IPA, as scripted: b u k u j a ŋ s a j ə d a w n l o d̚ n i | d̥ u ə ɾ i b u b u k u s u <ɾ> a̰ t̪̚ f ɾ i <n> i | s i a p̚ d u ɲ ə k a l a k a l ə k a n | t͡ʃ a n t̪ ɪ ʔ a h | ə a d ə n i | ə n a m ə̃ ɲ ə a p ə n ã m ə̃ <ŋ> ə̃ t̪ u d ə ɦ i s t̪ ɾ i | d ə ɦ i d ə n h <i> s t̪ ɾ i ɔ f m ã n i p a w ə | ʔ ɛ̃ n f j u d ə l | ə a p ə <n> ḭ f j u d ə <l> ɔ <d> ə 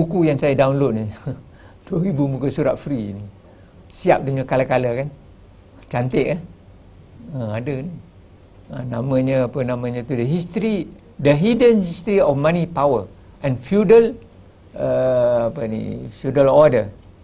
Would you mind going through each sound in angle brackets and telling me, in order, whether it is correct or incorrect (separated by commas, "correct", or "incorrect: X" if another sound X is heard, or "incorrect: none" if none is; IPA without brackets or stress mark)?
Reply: correct, correct, incorrect: ɲ, correct, correct, correct, correct